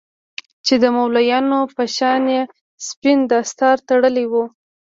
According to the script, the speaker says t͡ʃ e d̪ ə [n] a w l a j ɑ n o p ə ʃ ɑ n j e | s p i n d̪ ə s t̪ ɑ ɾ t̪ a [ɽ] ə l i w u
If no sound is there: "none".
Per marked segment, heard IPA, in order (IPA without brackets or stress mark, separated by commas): m, ɽ